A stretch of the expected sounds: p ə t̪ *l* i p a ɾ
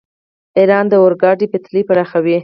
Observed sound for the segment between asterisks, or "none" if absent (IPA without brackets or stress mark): l